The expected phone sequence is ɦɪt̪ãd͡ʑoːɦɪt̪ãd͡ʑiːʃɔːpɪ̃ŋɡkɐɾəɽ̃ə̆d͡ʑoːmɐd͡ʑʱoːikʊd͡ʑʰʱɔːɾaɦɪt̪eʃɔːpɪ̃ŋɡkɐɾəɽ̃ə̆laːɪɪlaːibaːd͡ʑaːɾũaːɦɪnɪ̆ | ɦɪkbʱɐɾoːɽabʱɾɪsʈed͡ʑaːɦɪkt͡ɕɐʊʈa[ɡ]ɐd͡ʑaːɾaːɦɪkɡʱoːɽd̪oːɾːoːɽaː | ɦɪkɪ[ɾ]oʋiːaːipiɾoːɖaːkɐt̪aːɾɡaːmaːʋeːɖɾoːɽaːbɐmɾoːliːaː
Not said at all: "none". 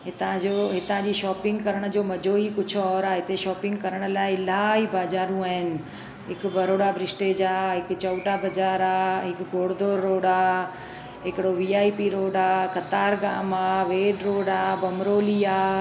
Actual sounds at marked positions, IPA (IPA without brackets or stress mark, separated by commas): b, ɽ